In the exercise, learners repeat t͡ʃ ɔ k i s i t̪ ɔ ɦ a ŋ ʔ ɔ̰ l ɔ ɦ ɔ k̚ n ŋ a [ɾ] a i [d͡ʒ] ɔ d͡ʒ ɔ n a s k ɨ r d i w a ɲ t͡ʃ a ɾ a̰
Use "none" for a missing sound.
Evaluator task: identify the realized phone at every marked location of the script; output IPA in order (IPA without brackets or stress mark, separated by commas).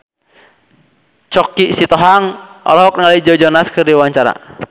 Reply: l, d͡ʒ